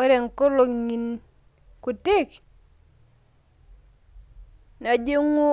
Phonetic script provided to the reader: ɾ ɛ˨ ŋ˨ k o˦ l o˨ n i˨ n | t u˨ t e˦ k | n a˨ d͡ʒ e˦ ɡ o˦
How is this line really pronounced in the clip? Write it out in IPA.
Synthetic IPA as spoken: ɾ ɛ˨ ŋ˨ k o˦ l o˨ ŋ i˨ n | k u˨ t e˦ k | n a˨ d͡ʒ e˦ ŋ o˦